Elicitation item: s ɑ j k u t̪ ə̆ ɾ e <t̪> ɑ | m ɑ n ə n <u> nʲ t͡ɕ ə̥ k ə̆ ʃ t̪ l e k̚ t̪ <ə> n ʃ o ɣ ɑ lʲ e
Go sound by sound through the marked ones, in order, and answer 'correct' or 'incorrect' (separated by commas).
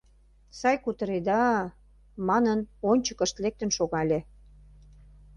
incorrect, incorrect, correct